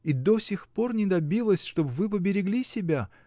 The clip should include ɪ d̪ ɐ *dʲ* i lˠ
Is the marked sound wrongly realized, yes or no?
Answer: yes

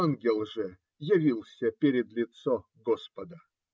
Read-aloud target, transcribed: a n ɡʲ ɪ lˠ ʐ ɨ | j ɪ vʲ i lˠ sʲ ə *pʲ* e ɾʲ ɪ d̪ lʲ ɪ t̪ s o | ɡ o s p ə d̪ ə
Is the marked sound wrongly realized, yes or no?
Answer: no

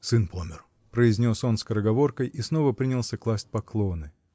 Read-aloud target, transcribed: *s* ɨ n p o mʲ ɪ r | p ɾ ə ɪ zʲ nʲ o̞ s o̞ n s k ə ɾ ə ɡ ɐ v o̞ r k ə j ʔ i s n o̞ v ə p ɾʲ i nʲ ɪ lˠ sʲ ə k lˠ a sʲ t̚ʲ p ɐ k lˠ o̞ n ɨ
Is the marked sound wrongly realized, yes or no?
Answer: no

